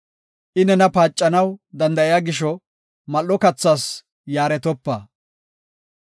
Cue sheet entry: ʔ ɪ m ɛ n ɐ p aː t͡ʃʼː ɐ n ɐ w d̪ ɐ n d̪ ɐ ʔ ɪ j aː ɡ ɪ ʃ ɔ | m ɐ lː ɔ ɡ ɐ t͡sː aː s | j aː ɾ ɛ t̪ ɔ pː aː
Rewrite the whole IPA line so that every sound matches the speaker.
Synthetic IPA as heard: ʔ ɪ n ɛ n ɐ p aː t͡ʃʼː ɐ n ɐ w d̪ ɐ n d̪ ɐ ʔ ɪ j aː ɡ ɪ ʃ ɔ | m ɐ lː ɔ k ɐ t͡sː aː s | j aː ɾ ɛ t̪ ɔ pː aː